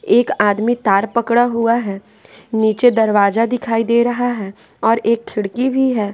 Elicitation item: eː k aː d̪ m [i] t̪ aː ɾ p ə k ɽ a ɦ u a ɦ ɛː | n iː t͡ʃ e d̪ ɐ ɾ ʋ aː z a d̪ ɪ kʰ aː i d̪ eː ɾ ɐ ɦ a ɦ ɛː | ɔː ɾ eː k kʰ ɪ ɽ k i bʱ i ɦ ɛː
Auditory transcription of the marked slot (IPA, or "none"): i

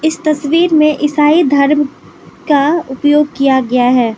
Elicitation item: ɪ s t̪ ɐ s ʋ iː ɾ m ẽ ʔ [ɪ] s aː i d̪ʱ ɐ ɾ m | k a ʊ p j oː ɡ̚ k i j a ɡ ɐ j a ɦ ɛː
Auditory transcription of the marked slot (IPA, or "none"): ɪ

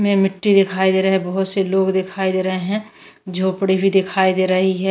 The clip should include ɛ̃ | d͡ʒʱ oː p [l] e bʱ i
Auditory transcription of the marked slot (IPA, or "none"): ɽ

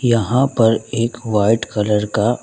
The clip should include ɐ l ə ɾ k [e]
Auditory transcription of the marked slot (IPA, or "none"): a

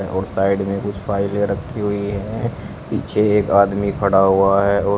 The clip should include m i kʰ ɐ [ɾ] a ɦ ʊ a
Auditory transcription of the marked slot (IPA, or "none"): ɽ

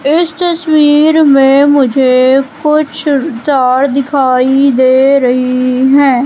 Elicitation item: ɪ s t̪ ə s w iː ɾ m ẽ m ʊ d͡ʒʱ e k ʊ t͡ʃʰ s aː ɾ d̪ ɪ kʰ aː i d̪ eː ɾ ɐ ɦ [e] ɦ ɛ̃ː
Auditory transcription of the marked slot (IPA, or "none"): i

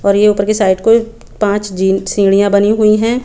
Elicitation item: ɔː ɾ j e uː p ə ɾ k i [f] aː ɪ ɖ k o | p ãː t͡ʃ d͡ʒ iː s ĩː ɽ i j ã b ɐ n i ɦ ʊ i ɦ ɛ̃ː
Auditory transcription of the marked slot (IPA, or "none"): s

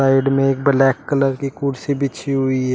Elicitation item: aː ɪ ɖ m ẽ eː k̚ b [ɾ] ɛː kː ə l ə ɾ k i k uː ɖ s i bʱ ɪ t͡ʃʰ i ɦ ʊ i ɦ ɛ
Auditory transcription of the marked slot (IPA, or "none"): l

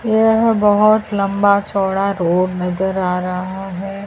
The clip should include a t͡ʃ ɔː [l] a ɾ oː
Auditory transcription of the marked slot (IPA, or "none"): ɽ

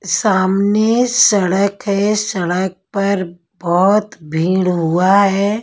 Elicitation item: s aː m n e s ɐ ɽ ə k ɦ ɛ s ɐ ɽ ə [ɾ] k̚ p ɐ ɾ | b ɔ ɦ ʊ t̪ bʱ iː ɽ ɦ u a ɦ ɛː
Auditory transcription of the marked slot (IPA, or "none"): none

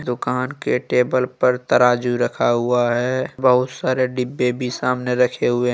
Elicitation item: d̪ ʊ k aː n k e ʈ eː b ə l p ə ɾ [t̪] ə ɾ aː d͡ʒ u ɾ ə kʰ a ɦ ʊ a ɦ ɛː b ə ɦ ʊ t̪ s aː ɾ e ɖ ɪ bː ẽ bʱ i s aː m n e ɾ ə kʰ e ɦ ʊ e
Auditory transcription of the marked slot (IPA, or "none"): t̪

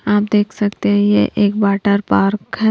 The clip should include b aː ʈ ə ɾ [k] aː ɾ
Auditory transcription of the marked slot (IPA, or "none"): p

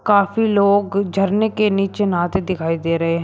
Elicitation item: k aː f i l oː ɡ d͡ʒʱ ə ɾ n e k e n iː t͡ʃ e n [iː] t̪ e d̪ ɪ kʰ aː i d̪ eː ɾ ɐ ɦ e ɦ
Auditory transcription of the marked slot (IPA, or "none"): aː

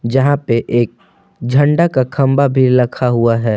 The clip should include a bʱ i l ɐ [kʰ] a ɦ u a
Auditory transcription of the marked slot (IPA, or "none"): kʰ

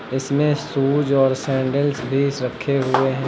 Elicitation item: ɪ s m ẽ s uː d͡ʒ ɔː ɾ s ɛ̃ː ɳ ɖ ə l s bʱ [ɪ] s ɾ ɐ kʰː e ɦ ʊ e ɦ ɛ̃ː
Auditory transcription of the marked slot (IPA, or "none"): i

